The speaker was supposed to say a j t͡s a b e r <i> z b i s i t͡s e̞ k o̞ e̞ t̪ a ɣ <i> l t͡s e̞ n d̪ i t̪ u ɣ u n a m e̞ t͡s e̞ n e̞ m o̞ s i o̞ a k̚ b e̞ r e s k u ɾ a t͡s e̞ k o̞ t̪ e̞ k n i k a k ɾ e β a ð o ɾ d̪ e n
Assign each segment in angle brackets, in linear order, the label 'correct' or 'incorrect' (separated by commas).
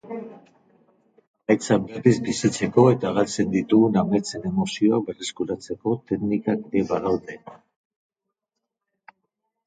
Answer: correct, incorrect